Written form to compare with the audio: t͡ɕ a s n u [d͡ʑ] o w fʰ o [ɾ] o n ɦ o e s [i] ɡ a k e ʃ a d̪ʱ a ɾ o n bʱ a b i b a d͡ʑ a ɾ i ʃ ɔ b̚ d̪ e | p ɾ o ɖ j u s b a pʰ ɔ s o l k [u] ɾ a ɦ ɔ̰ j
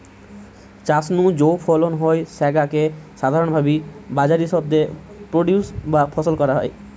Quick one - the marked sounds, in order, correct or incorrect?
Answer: correct, incorrect: l, incorrect: ɛ, incorrect: ɔ

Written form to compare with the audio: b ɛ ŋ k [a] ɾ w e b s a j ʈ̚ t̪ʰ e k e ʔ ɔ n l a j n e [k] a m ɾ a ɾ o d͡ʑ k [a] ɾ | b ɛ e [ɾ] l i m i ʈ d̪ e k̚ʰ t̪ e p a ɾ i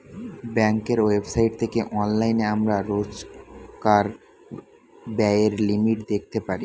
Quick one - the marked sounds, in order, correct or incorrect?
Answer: incorrect: e, incorrect: none, correct, correct

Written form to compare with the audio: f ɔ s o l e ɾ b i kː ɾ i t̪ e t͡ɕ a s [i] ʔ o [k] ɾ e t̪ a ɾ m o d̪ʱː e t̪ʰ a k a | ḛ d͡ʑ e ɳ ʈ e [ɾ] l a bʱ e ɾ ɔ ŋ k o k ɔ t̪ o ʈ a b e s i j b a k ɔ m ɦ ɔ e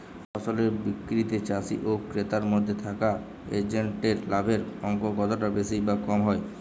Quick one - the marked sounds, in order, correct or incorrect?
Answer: correct, correct, correct

